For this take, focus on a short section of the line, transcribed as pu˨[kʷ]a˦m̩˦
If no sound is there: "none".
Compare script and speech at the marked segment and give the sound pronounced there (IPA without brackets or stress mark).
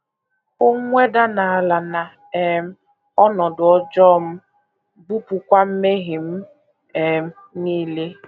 kʷ